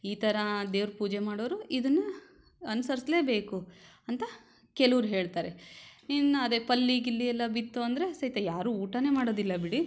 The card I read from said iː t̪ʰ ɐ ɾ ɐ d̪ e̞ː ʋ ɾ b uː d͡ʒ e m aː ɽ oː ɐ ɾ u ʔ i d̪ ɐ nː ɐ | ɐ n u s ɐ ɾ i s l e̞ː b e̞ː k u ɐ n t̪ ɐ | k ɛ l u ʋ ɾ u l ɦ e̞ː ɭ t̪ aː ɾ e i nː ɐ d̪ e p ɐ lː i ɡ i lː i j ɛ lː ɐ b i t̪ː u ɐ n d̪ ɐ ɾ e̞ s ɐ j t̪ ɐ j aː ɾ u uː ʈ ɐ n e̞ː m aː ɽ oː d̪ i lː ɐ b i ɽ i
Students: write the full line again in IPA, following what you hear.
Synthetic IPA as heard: iː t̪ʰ ɐ ɾ ɐ d̪ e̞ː ʋ ɾ p uː d͡ʒ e m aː ɽ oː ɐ ɾ u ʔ i d̪ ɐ nː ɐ | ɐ n u s ɐ ɾ i s l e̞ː b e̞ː k u ɐ n t̪ ɐ | k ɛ l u ʋ ɾ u ɦ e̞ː ɭ t̪ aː ɾ e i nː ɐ d̪ e p ɐ lː i ɡ i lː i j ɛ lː ɐ b i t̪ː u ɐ n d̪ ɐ ɾ e̞ s ɐ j t̪ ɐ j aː ɾ u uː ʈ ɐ n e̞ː m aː ɽ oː d̪ i lː ɐ b i ɽ i

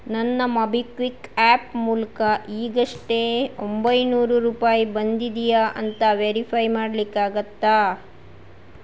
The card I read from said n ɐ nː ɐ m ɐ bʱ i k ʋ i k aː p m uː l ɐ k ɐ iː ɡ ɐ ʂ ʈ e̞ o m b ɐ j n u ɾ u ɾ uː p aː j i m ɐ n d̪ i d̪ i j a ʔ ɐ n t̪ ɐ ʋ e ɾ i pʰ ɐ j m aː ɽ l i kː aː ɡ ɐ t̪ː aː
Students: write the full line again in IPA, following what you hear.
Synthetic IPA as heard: n ɐ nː ɐ m ɐ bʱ i k ʋ i k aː p m uː l ɐ k ɐ iː ɡ ɐ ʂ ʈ e̞ o m b ɐ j n uː ɾ u ɾ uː p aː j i b ɐ n d̪ i d̪ i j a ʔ ɐ n t̪ ɐ ʋ e ɾ i pʰ ɐ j m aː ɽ l i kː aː ɡ ɐ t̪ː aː

